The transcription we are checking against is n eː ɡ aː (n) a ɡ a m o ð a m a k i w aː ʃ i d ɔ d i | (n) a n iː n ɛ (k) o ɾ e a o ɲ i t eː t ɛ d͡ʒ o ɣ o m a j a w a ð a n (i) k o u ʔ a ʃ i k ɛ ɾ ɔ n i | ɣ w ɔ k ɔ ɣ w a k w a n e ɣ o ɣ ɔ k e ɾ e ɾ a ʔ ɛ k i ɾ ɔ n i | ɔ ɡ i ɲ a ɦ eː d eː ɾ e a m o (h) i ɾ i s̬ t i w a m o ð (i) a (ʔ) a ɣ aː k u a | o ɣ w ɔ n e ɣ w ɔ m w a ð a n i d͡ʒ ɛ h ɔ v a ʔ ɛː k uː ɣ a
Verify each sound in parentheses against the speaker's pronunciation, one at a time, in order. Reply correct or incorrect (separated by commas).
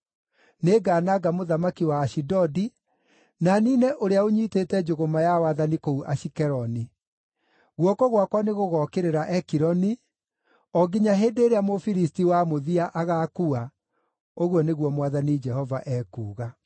correct, correct, incorrect, correct, incorrect, correct, correct